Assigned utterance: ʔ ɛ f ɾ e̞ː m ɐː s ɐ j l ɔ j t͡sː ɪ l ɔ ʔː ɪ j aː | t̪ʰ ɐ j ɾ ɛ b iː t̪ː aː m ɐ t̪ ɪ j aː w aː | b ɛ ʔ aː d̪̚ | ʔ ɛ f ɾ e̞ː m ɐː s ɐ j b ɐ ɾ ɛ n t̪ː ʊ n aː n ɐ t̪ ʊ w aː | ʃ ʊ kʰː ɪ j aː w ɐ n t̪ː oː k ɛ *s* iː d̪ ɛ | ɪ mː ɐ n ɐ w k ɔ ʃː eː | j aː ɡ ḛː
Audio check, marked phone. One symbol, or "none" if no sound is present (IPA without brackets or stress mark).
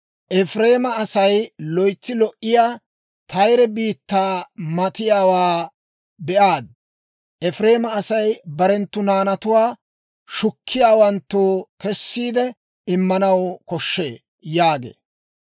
sː